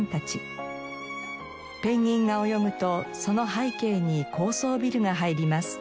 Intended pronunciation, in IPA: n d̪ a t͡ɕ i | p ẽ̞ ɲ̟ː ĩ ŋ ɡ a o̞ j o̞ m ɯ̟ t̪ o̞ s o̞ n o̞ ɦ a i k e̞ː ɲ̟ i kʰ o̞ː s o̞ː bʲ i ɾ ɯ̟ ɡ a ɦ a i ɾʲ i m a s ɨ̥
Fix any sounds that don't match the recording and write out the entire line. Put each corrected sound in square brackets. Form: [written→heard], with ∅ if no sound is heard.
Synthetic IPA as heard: n [d̪→t̪] a t͡ɕ i | p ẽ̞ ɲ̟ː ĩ ŋ ɡ a o̞ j o̞ m ɯ̟ t̪ o̞ s o̞ n o̞ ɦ a i k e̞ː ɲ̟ i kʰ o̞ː s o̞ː bʲ i ɾ ɯ̟ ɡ a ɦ a i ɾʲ i m a s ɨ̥

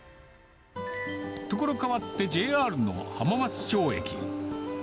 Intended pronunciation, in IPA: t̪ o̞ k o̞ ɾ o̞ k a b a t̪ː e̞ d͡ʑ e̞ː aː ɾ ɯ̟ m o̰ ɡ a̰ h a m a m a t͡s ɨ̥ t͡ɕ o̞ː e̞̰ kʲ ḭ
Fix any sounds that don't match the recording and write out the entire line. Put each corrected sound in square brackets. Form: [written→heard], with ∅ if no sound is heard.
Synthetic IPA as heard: t̪ o̞ k o̞ ɾ o̞ k a [b→β] a t̪ː e̞ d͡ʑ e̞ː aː ɾ ɯ̟ [m→n] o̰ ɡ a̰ h a m a m a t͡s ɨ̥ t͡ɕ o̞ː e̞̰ kʲ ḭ

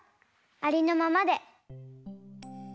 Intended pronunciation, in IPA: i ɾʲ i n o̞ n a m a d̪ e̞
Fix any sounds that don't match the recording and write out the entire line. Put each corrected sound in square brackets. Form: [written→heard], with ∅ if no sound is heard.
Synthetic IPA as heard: [i→a] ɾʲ i n o̞ [n→m] a m a d̪ e̞

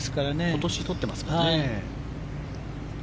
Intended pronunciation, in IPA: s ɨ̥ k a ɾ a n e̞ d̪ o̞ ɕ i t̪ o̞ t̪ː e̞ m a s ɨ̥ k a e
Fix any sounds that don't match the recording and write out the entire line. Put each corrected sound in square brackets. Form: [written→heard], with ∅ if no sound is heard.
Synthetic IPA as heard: s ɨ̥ k a ɾ a n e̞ [d̪→t̪] o̞ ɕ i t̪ o̞ t̪ː e̞ m a s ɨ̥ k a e

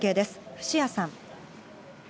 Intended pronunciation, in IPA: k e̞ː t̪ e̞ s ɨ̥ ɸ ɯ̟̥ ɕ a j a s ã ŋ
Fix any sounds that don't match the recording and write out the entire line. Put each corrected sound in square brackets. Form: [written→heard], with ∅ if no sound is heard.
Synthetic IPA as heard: k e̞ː [t̪→d̪] e̞ s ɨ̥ ɸ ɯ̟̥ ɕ [a→i] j a s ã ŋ

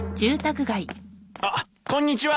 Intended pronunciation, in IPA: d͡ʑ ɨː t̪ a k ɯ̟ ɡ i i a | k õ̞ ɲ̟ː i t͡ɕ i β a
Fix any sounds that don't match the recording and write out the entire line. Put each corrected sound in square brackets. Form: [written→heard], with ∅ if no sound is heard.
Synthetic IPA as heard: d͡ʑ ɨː t̪ a k ɯ̟ ɡ [i→a] i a | k õ̞ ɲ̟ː i t͡ɕ i β a

